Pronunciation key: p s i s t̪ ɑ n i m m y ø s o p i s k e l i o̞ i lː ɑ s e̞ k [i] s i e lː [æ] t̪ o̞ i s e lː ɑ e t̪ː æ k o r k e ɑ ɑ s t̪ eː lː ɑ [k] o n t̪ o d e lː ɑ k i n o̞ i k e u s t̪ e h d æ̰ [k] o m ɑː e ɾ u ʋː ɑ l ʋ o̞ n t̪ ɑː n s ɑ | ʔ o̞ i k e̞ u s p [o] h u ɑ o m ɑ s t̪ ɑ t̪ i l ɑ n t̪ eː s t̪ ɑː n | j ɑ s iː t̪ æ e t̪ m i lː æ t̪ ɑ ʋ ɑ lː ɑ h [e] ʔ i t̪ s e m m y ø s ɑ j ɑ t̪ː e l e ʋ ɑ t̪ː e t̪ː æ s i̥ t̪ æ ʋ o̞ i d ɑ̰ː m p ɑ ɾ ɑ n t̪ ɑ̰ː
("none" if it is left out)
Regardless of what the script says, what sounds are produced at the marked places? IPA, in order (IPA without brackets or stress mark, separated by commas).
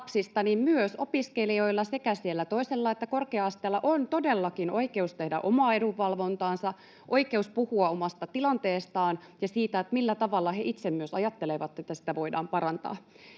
æ, æ, ʔ, ʔ, u, e